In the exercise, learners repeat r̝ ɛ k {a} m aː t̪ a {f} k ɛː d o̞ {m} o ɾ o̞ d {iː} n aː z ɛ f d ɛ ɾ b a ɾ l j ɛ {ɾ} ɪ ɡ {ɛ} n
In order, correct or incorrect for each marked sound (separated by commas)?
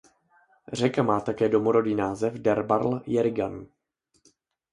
correct, incorrect, correct, correct, correct, incorrect